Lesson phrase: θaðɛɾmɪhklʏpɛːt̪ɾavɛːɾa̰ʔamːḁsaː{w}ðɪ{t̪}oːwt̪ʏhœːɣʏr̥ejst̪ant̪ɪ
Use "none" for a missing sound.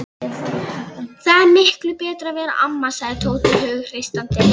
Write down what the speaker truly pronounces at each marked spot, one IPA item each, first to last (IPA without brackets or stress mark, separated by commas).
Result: ɣ, t̪ʰ